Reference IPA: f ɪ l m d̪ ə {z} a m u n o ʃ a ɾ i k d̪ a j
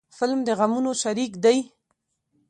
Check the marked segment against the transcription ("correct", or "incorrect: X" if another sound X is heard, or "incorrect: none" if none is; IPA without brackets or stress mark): incorrect: ɣ